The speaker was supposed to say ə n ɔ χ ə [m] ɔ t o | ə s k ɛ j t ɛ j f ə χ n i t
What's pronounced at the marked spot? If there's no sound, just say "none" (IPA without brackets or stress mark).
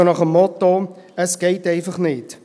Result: m